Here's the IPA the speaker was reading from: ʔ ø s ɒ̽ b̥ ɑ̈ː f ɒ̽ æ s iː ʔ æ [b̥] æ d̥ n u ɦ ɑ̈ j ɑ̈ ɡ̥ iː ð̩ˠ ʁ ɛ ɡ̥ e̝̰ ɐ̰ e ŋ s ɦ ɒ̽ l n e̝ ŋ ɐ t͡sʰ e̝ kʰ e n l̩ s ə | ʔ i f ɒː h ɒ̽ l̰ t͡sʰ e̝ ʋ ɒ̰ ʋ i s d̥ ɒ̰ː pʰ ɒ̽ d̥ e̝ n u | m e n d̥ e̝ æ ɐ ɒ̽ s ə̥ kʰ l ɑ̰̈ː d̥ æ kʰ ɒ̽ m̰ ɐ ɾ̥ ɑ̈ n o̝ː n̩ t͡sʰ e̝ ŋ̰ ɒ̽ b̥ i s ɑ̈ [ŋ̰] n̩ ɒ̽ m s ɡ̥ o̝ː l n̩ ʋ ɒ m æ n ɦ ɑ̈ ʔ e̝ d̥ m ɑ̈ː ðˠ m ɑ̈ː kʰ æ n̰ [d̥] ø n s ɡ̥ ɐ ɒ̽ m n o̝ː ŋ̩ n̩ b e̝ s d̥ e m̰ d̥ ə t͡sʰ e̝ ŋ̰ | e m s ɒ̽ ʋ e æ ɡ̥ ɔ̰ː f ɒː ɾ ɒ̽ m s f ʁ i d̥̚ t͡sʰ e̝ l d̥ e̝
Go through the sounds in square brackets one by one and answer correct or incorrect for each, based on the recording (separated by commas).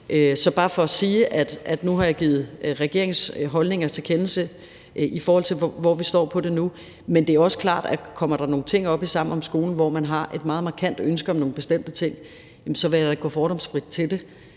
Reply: incorrect, incorrect, correct